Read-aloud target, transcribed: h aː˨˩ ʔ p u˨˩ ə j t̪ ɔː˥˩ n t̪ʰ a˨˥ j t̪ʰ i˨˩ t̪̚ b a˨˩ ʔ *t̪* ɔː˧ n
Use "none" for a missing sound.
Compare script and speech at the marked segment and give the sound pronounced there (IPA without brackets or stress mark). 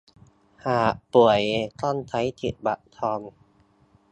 t̪ʰ